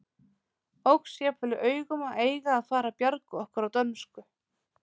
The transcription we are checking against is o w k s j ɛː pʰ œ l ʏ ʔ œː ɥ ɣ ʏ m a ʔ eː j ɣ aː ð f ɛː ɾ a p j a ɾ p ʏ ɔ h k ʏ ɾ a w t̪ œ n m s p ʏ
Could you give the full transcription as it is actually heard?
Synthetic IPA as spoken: o w k s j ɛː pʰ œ l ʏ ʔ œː ɥ ɣ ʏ m a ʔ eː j ɣ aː ð f aː ɾ a p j a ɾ k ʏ ɔ h k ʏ ɾ a w t̪ œ n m s k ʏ